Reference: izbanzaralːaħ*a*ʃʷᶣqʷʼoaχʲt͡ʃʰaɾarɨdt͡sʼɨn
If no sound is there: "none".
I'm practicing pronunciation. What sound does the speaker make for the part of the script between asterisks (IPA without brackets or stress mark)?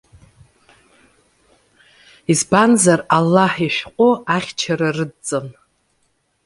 i